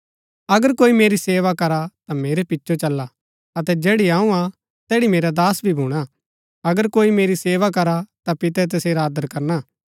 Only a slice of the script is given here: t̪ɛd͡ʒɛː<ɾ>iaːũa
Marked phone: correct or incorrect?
incorrect